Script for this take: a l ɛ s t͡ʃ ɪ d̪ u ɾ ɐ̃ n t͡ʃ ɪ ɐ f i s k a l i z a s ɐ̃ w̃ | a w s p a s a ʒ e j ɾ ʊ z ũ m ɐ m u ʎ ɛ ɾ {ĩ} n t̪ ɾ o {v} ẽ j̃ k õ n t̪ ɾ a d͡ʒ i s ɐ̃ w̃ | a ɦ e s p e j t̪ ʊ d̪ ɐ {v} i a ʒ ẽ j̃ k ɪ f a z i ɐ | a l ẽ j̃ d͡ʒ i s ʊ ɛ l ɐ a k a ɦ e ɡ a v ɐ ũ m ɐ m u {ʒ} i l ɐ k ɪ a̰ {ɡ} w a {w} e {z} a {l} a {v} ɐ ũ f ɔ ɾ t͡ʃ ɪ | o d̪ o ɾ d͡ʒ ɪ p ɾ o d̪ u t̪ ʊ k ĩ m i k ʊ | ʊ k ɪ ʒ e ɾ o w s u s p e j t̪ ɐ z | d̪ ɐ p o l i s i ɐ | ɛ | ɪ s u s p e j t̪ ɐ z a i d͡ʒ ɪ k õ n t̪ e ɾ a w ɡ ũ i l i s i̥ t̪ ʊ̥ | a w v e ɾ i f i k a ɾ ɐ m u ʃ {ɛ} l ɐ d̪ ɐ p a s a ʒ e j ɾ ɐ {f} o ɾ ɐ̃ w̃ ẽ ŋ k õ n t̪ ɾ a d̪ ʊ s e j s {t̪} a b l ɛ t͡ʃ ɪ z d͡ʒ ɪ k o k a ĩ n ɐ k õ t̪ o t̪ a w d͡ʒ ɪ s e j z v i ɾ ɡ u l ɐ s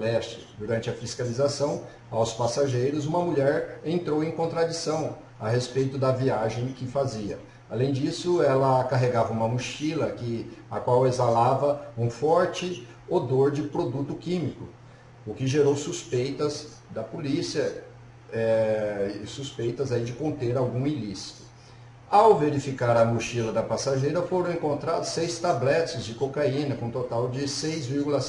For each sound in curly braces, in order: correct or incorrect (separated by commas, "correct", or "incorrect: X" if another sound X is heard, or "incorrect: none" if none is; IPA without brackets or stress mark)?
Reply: incorrect: ẽ, incorrect: w, correct, incorrect: ʃ, incorrect: k, correct, correct, correct, correct, incorrect: i, correct, correct